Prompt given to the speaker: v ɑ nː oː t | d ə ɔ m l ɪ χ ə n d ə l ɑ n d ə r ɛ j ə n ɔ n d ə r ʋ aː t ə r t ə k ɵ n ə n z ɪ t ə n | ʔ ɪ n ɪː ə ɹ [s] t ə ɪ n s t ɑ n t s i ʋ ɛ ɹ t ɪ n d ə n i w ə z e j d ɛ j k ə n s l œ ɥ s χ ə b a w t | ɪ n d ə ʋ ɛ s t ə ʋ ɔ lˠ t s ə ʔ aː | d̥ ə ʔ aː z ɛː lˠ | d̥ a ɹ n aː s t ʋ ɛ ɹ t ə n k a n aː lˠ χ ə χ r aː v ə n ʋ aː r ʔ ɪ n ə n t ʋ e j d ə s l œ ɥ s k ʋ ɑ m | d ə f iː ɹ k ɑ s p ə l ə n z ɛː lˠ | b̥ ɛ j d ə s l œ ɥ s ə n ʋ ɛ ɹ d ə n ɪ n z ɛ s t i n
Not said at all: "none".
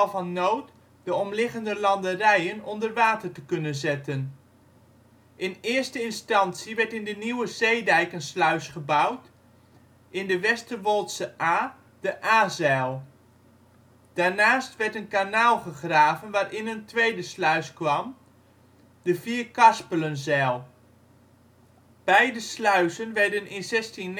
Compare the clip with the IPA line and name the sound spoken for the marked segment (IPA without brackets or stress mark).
s